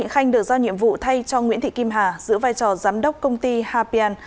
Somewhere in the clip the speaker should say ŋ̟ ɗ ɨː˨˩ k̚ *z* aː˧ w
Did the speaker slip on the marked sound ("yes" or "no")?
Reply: no